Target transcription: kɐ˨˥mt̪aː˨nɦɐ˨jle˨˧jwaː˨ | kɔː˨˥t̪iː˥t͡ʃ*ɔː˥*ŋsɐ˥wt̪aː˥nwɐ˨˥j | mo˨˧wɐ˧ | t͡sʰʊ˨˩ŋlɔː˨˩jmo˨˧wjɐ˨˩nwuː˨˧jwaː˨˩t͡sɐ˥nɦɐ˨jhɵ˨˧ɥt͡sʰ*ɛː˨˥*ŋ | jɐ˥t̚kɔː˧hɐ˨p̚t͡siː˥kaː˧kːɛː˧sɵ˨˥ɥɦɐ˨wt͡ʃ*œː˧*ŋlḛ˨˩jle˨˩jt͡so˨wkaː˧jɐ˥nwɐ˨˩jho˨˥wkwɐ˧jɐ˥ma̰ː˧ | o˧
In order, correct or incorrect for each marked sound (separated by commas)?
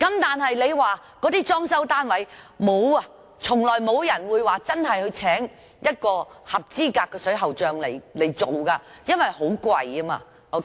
correct, correct, correct